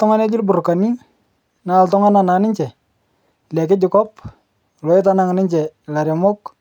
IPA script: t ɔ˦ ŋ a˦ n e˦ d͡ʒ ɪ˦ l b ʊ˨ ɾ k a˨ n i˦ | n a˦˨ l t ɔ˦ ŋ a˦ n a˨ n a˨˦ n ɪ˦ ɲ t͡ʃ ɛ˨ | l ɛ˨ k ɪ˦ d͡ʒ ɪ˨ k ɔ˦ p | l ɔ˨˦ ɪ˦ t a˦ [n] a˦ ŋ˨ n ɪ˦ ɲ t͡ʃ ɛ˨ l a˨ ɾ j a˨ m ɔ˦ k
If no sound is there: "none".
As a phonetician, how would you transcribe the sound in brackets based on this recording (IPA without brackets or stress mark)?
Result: n